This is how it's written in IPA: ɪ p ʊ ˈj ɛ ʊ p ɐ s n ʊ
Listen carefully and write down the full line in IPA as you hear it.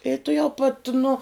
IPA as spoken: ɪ t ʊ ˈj ɛ ʊ p ɐ t n ʊ